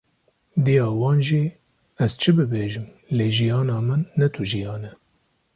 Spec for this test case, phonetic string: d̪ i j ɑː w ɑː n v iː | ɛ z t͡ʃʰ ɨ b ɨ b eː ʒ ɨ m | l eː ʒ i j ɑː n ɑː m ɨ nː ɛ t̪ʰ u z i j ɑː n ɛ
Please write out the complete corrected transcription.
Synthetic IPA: d̪ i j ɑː w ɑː n ʒ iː | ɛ z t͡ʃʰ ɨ b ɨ b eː ʒ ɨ m | l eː ʒ i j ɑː n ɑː m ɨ nː ɛ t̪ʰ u ʒ i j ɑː n ɛ